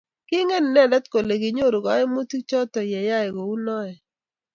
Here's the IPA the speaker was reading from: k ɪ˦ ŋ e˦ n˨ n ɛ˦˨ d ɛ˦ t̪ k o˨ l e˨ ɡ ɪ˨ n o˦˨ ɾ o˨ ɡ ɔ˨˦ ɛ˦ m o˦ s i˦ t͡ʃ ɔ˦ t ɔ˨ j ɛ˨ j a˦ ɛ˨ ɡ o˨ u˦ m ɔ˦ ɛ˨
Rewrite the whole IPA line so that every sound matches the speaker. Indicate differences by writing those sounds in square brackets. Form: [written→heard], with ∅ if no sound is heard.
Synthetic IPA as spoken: k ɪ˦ ŋ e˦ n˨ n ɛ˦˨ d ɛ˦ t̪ k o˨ l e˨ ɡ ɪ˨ [n→ɲ] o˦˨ ɾ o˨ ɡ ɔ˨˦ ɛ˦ m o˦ [s→t] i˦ t͡ʃ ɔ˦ t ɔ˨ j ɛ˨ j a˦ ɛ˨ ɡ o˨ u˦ [m→n] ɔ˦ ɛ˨

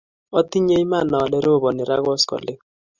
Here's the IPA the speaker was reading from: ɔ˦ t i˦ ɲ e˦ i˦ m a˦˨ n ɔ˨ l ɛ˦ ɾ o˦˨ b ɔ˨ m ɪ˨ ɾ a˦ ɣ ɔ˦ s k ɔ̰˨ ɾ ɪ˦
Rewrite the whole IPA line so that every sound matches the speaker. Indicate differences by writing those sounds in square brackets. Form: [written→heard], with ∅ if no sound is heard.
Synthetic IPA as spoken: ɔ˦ t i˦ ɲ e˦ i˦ m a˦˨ n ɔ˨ l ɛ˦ ɾ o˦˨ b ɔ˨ [m→n] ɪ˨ ɾ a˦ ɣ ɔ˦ s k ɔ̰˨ [ɾ→l] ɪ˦

